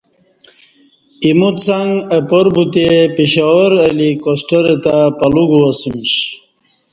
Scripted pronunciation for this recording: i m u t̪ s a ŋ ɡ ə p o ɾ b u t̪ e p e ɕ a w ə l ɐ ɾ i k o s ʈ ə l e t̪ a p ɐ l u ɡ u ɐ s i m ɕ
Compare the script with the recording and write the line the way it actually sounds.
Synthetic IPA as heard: i m u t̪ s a ŋ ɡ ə p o ɾ b u t̪ e p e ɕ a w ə ɾ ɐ l i k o s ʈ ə ɾ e t̪ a p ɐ l u ɡ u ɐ s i m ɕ